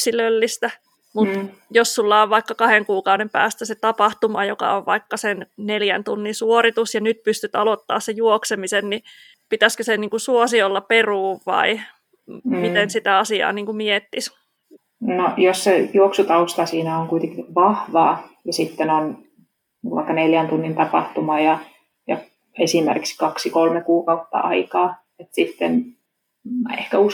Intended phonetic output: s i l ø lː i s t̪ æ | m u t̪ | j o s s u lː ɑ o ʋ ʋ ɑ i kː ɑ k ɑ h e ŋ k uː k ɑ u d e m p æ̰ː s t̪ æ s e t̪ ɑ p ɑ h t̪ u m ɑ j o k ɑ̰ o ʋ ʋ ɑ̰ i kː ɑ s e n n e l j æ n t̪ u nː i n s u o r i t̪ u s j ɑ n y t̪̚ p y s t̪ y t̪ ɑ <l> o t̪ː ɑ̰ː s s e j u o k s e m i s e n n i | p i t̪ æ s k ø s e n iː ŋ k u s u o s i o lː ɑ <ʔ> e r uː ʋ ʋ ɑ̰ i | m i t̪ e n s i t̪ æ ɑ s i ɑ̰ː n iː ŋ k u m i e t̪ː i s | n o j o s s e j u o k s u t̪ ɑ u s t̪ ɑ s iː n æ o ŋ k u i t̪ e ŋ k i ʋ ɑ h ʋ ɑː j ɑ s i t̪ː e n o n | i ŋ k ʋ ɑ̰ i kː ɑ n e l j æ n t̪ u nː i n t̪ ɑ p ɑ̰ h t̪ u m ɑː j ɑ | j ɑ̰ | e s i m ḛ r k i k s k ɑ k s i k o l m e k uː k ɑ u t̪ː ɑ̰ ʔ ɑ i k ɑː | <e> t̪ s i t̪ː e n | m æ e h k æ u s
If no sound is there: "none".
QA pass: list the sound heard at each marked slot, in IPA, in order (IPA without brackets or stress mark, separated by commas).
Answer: l, p, e